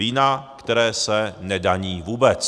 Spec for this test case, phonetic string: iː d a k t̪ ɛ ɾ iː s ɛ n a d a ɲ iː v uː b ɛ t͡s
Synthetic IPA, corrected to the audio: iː n a k t̪ ɛ ɾ ɛː s ɛ n ɛ d a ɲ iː v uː b ɛ t͡s